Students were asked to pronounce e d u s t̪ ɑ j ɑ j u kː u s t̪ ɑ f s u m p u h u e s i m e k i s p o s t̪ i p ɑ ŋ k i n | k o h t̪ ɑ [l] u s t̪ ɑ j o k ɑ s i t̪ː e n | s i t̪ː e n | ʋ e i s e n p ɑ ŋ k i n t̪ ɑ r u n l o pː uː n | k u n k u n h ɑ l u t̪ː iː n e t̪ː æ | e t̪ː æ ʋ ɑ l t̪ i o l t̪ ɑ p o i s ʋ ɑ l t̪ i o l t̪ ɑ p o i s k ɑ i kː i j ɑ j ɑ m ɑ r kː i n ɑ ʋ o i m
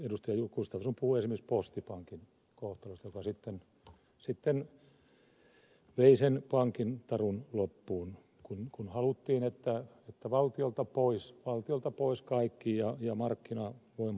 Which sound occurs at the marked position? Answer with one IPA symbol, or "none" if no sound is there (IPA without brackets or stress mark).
l